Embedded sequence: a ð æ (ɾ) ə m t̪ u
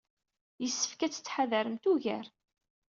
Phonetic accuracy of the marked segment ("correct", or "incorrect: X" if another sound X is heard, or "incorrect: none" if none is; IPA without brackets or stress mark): correct